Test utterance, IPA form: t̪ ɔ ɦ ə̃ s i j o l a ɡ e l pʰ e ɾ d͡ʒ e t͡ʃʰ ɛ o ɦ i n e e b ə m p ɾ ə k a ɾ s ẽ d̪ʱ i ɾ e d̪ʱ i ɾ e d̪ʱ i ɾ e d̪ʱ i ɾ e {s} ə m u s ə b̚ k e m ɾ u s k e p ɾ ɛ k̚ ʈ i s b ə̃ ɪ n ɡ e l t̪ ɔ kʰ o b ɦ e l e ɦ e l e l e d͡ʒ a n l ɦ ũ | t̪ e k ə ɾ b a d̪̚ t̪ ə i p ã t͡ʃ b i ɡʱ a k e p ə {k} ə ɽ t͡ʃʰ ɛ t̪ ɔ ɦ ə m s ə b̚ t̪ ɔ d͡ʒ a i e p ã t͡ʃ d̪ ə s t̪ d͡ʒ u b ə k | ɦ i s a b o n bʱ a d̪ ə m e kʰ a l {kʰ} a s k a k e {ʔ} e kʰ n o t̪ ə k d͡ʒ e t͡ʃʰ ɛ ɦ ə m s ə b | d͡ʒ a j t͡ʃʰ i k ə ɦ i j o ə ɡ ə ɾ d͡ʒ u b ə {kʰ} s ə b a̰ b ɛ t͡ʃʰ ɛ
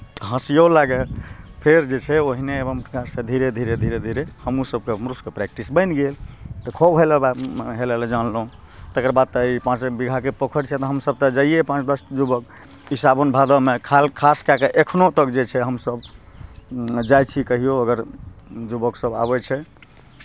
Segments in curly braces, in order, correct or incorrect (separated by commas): incorrect, incorrect, correct, correct, incorrect